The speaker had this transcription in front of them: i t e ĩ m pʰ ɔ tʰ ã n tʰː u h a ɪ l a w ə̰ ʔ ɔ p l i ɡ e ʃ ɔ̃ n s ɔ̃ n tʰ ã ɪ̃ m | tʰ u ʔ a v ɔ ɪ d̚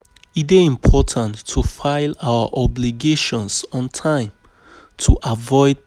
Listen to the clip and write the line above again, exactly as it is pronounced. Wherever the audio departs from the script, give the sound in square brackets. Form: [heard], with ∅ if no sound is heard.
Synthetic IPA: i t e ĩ m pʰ ɔ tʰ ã n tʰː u [f] a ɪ l a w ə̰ ʔ ɔ [b] l i ɡ e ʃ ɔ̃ n s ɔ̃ n tʰ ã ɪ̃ m | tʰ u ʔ a v ɔ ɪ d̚